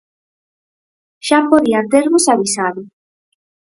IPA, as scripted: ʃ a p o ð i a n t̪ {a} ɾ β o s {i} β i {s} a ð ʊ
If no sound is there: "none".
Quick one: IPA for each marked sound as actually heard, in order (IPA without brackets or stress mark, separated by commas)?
e, a, s